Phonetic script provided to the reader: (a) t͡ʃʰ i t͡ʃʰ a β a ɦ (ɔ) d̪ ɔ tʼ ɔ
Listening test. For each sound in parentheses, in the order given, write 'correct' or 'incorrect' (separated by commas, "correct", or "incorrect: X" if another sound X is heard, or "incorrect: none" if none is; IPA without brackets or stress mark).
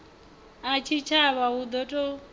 correct, incorrect: u